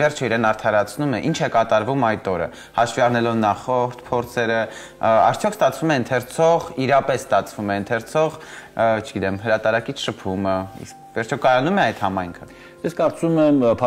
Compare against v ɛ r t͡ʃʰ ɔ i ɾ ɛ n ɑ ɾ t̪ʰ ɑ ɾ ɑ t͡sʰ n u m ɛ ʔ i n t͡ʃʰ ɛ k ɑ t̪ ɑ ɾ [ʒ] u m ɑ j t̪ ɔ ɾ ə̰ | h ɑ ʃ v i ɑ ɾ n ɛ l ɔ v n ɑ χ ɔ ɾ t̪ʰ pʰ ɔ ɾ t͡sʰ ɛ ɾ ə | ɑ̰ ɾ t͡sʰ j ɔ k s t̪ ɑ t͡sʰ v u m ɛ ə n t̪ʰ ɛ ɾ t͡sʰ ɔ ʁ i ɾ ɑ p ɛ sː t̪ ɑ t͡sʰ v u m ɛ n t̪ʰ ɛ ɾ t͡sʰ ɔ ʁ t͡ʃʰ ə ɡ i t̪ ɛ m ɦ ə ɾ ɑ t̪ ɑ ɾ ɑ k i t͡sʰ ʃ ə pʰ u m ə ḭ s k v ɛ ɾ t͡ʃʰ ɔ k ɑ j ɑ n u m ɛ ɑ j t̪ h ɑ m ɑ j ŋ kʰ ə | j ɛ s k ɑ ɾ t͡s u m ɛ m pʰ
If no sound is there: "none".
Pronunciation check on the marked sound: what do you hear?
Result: v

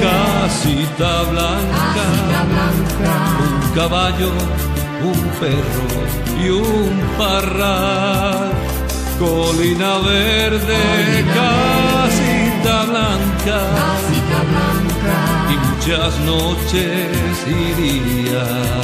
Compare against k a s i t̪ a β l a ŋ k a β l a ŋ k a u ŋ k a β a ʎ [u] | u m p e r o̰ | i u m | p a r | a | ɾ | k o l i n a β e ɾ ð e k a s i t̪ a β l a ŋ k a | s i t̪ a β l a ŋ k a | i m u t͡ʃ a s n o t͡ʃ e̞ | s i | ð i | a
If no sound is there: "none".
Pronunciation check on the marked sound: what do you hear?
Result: o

